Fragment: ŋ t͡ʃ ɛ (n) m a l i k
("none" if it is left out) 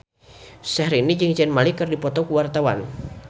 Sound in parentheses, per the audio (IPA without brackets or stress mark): n